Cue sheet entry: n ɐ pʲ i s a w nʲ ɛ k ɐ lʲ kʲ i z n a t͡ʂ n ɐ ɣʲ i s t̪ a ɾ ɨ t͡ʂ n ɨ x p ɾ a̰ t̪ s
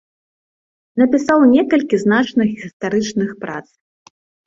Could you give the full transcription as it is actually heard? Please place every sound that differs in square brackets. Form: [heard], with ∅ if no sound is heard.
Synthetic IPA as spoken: n ɐ pʲ i s a w nʲ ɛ k ɐ lʲ kʲ i z n a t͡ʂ n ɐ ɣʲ i s t̪ a ɾ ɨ t͡ʂ n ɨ x p ɾ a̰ t̪ s